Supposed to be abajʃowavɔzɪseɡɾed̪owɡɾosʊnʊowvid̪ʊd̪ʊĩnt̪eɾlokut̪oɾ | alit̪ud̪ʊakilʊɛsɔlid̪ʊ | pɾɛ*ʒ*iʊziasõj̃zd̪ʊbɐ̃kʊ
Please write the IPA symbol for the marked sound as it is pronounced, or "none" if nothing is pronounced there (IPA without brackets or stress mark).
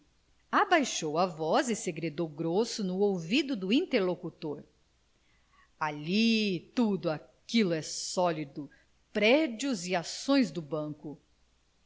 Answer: d͡ʒ